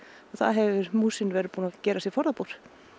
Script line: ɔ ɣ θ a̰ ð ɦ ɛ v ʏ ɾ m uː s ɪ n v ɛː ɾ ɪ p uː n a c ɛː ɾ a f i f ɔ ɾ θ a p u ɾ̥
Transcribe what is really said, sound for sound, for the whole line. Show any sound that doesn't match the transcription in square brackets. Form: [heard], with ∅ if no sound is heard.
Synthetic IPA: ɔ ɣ θ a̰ ð ɦ ɛ v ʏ ɾ m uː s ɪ n v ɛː ɾ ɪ p uː n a c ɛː ɾ a [s] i f ɔ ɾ [ð] a p u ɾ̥

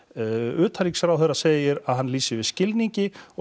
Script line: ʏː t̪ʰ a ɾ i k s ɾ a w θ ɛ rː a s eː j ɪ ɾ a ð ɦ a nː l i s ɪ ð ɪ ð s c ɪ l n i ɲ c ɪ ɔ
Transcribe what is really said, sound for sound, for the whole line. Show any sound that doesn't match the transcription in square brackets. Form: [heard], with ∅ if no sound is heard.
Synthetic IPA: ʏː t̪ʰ a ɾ i k s ɾ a w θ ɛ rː a s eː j ɪ ɾ a ð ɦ a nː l [iː] s ɪ [v] ɪ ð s c ɪ l n i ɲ c ɪ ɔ

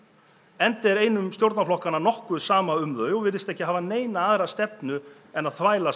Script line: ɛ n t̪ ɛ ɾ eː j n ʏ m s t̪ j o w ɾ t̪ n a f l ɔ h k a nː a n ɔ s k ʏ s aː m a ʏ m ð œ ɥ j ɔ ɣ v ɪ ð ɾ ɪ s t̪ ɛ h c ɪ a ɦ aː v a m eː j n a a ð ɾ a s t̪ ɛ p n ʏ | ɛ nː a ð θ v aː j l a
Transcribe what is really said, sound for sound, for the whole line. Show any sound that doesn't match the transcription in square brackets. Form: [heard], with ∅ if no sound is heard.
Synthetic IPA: ɛ n t̪ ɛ ɾ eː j n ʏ m s t̪ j o w ɾ t̪ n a f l ɔ h k a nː a n ɔ [h] k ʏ s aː m a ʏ m ð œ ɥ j ɔ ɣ v ɪ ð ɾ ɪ s t̪ ɛ h c ɪ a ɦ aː v a [n] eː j n a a ð ɾ a s t̪ ɛ p n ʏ | ɛ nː a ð θ v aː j l a

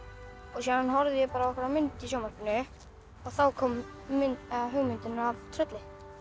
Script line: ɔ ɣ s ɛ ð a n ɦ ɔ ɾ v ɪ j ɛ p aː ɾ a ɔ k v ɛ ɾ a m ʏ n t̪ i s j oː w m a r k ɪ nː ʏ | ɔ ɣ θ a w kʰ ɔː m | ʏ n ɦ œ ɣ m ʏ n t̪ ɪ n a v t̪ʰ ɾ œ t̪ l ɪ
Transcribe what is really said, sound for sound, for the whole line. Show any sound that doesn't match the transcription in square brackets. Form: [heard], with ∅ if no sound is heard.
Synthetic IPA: ɔ ɣ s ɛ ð a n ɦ ɔ ɾ [ð] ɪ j ɛ p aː ɾ a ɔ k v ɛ ɾ a m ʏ n t̪ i s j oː w m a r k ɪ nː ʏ | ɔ ɣ θ a w kʰ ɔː m | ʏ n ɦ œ ɣ m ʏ n t̪ ɪ n a v t̪ʰ ɾ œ t̪ l ɪ

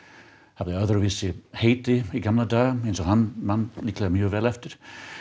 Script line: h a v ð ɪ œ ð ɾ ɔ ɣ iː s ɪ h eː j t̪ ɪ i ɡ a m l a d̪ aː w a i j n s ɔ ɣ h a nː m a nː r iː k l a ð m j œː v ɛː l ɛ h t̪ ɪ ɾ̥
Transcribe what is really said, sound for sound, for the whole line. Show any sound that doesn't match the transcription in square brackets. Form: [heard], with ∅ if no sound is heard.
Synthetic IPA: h a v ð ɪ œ ð ɾ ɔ [v] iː s ɪ h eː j t̪ ɪ i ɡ a m l a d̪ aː [ɣ] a [e] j n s ɔ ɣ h a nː m a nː [l] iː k l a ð m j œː v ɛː l ɛ [f] t̪ ɪ ɾ̥

